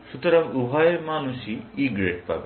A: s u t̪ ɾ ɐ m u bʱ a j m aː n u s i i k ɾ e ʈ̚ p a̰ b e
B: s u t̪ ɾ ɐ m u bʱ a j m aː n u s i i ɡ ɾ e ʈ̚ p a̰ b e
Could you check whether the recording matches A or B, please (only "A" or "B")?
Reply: B